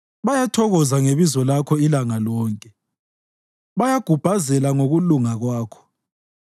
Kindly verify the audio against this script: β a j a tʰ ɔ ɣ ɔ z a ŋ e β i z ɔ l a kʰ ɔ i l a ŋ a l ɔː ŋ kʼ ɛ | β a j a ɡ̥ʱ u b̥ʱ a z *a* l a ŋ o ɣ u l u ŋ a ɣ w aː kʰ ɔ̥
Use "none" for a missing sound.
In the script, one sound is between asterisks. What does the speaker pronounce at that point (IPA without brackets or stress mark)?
ɛ